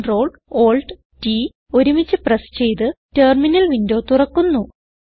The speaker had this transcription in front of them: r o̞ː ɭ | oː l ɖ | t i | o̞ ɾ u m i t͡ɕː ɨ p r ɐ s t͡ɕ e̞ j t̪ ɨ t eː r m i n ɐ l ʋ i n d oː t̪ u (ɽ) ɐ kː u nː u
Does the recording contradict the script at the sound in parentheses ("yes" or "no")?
yes